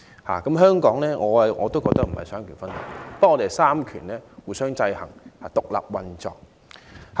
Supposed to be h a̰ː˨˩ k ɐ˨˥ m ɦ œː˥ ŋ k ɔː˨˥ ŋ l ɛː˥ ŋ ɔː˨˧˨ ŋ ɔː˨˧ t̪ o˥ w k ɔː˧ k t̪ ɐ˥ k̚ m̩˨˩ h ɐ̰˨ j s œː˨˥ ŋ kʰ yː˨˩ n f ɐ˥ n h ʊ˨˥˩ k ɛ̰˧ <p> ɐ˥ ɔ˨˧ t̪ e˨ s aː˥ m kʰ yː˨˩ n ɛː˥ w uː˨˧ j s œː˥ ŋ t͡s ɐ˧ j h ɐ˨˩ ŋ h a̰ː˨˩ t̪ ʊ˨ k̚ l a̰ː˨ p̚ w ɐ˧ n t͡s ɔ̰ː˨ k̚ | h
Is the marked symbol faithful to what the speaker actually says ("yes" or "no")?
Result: yes